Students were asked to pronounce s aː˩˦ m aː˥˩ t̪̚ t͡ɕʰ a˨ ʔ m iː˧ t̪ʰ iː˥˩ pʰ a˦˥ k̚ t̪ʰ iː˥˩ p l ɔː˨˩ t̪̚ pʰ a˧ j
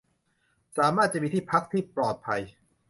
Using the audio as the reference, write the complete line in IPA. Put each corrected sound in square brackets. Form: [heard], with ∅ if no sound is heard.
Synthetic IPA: s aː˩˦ m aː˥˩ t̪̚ [t͡ɕ] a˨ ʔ m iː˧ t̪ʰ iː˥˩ pʰ a˦˥ k̚ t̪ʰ iː˥˩ p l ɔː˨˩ t̪̚ pʰ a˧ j